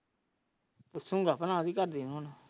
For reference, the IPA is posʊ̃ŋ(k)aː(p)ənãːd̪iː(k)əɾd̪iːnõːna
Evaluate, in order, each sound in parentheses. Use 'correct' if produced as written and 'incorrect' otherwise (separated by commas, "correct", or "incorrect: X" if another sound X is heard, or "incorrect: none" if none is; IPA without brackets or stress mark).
incorrect: ɡ, correct, correct